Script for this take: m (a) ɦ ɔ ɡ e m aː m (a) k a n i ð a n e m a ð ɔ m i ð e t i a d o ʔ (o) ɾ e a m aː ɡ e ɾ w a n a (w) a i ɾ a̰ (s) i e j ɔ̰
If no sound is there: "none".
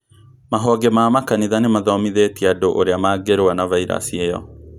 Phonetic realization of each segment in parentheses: a, a, o, v, s

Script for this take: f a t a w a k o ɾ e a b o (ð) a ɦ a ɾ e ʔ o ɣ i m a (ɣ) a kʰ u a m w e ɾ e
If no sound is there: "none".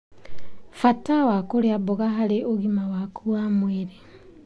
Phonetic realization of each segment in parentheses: ɣ, w

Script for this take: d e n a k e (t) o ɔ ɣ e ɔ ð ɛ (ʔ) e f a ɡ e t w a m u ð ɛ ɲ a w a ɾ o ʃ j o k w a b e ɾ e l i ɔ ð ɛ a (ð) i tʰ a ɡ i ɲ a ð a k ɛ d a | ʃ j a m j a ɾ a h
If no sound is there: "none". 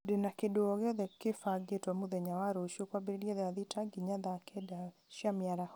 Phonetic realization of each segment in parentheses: d, k, ð

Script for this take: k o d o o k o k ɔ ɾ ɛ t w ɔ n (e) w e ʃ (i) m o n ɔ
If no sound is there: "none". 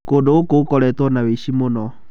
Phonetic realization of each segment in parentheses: a, i

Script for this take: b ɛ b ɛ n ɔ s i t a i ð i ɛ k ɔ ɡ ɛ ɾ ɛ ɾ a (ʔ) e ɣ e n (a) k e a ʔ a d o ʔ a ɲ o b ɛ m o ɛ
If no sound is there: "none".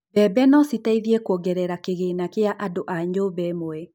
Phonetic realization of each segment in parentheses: k, a

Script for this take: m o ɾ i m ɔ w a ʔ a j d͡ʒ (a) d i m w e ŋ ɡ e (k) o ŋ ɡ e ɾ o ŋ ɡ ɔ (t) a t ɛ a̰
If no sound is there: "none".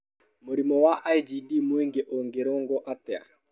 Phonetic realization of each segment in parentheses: i, ʔ, ʔ

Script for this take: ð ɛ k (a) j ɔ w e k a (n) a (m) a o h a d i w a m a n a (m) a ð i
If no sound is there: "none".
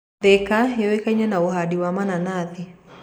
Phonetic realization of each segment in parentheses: a, ɲ, n, n

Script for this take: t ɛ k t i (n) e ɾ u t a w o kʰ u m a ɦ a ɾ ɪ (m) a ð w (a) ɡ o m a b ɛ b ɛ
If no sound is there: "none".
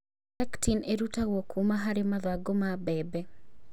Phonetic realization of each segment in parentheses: n, m, a

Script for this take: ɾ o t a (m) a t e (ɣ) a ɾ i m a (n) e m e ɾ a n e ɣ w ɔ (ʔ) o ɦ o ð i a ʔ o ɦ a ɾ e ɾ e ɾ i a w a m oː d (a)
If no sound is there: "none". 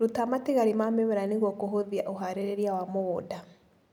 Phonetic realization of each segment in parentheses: m, ɣ, m, k, a

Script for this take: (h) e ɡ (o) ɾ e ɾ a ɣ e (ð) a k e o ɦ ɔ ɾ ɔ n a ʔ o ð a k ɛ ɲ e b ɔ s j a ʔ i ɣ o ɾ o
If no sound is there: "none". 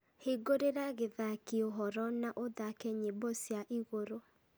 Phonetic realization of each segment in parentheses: h, o, ð

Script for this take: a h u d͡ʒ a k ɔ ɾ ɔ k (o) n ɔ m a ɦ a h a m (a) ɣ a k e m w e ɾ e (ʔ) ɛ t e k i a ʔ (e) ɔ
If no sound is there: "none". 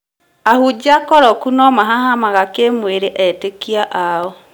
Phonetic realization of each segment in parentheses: u, a, ʔ, a

